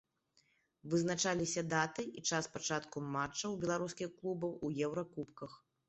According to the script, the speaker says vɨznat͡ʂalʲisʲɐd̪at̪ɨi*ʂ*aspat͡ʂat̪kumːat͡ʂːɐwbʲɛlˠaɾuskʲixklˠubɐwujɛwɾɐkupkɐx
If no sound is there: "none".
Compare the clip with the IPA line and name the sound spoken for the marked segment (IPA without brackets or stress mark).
t͡ʂ